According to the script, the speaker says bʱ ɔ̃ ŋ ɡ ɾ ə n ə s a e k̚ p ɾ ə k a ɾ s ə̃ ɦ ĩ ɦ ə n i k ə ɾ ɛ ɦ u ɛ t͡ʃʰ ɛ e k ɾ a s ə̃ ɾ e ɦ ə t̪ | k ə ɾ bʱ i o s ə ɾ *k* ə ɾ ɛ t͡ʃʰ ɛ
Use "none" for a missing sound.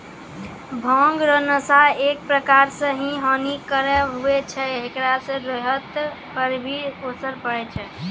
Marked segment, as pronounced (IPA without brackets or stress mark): p